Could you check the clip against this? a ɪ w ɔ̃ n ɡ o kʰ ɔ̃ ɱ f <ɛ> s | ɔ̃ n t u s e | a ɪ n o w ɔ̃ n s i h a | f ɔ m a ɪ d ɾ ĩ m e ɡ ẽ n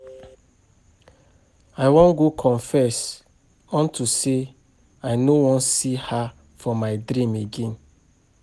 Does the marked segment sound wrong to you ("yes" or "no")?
no